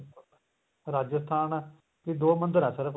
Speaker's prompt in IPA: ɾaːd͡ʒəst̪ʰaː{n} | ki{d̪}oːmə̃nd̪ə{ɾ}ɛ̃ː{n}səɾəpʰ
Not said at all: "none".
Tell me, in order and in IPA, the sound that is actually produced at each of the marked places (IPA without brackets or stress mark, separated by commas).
n, d̪, ɾ, none